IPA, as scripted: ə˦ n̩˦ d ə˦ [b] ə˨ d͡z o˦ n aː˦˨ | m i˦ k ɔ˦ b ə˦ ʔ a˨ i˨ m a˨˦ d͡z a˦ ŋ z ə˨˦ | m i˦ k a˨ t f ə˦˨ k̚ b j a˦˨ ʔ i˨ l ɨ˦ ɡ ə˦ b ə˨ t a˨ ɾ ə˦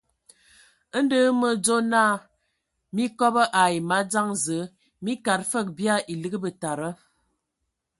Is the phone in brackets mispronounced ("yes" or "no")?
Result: yes